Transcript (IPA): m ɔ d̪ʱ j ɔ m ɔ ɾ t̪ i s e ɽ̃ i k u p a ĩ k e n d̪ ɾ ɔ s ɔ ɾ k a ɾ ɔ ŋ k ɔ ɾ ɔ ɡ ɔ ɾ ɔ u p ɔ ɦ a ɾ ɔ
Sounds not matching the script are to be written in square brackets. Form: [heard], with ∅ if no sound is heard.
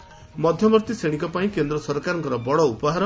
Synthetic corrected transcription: m ɔ d̪ʱ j ɔ m ɔ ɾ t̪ i s e ɽ̃ i k [ɔ] p a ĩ k e n d̪ ɾ ɔ s ɔ ɾ k a ɾ ɔ ŋ k ɔ ɾ ɔ [b] ɔ [ɽ] ɔ u p ɔ ɦ a ɾ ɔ